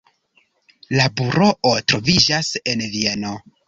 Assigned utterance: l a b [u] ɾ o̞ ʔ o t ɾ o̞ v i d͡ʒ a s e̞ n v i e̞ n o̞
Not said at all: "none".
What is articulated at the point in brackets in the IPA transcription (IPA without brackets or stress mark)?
u